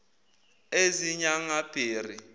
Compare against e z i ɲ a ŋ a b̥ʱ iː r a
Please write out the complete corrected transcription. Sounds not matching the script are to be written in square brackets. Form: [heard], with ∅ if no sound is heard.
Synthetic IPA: e z i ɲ a ŋ a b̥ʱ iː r [i]